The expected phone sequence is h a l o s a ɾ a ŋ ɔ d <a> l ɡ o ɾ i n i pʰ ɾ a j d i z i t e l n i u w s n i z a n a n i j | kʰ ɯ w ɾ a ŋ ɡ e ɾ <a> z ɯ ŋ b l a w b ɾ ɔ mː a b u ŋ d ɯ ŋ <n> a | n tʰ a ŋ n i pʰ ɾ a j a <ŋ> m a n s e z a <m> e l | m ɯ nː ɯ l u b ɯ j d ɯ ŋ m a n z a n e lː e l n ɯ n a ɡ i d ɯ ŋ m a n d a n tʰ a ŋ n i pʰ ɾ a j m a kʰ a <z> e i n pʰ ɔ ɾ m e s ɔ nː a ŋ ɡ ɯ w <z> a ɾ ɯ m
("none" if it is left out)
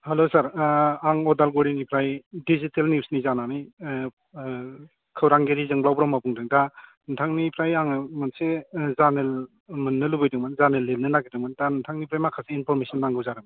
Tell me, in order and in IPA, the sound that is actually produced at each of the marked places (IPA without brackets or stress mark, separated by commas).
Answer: a, i, d, ŋ, n, s, z